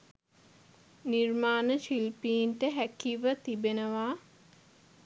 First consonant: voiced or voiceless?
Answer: voiced